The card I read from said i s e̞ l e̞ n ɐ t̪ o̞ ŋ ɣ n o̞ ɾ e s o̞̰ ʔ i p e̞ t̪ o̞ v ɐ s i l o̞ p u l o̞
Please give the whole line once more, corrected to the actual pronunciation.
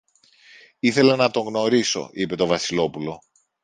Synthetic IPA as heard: i θ e̞ l e̞ n ɐ t̪ o̞ ŋ ɣ n o̞ ɾ i s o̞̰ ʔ i p e̞ t̪ o̞ v ɐ s i l o̞ p u l o̞